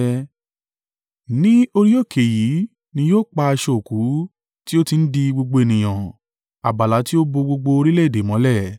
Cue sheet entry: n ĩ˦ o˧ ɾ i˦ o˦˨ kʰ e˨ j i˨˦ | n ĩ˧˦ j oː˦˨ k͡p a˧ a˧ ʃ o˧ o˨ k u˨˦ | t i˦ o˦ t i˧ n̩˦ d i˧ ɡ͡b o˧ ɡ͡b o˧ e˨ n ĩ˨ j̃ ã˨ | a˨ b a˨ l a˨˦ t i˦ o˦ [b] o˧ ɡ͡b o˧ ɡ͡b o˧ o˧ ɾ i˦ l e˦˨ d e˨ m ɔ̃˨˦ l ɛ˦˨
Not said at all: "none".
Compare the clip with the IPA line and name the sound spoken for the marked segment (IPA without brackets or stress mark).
b